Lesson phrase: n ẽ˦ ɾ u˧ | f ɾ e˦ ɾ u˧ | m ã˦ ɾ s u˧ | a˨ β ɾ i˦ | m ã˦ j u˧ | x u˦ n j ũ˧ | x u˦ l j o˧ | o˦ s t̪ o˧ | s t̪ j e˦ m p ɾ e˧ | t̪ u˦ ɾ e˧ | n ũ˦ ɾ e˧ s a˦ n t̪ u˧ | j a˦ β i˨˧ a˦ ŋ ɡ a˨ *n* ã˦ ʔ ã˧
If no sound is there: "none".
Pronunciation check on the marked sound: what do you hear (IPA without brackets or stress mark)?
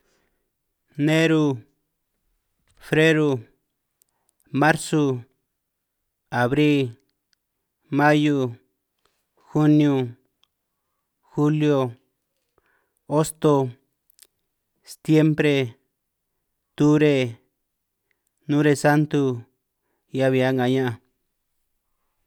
ɲ